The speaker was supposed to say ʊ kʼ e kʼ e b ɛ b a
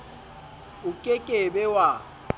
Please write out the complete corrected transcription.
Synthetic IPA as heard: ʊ kʼ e kʼ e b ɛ w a